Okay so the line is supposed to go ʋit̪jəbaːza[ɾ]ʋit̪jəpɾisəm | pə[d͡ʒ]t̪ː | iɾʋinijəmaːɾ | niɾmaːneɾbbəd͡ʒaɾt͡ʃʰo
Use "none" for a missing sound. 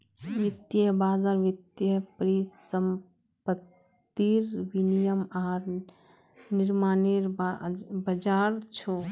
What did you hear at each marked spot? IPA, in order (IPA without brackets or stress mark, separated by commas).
ɾ, none